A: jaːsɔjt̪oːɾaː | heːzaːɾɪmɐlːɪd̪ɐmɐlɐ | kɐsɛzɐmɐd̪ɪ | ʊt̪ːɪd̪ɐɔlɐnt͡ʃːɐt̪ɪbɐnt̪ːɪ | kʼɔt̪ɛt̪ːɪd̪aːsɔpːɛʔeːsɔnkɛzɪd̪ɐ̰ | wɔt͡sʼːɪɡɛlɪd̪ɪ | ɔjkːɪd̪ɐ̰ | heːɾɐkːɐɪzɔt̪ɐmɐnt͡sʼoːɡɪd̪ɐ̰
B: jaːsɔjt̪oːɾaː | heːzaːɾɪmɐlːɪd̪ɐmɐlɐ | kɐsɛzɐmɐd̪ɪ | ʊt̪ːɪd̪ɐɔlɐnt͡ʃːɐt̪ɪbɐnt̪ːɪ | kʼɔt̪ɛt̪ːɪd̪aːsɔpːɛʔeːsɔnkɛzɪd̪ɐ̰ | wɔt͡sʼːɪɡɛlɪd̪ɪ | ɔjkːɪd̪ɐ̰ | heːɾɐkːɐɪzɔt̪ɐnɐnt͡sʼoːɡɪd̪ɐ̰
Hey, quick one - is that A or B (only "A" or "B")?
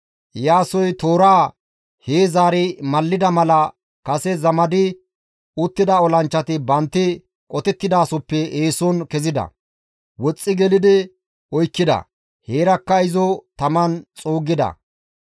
A